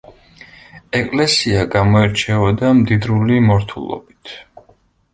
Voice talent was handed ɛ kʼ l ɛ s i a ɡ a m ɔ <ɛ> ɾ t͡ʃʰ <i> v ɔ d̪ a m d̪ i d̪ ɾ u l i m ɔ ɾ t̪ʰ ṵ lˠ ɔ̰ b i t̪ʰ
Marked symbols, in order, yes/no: yes, no

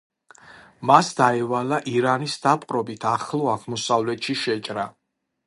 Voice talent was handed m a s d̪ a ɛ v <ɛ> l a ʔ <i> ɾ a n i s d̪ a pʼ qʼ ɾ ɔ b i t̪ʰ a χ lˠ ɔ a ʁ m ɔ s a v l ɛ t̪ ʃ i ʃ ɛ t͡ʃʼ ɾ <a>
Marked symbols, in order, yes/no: no, yes, yes

